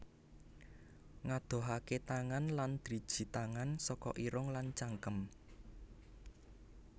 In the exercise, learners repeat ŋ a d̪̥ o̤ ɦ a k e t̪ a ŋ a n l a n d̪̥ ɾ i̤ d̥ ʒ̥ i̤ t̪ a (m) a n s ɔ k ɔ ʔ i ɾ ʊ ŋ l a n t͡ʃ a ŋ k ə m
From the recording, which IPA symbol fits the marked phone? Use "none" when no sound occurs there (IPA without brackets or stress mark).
ŋ